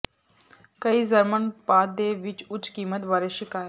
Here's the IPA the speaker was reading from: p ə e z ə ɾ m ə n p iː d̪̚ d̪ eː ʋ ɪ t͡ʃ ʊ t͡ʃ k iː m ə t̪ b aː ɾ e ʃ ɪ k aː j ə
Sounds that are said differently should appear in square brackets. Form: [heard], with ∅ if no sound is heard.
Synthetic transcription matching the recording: [k] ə [i] z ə ɾ m ə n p [aː] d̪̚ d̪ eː ʋ ɪ t͡ʃ ʊ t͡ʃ k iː m ə t̪ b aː ɾ e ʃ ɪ k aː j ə